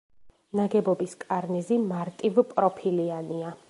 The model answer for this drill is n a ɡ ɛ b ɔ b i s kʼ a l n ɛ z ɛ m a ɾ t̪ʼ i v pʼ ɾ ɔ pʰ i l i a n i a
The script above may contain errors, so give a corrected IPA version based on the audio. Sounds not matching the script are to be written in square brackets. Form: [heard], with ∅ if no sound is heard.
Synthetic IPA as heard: n a ɡ ɛ b ɔ b i s kʼ a [ɾ] n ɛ z [i] m a ɾ t̪ʼ i v pʼ ɾ ɔ pʰ i l i a n i a